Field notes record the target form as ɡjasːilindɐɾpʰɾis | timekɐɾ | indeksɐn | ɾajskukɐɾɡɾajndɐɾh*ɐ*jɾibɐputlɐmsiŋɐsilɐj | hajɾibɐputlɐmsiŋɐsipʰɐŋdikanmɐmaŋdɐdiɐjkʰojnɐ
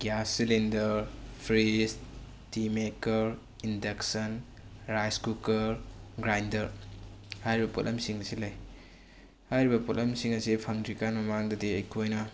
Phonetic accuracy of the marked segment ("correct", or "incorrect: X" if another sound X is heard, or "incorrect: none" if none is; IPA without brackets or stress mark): incorrect: a